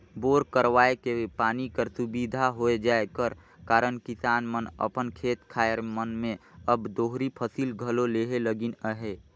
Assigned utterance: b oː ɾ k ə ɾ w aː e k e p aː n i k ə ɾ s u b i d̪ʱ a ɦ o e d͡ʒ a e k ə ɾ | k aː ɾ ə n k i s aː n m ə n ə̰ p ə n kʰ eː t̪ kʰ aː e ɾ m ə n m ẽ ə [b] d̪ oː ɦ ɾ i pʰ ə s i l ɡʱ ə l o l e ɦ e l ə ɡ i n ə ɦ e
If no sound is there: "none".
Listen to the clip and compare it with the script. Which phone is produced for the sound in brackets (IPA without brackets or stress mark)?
b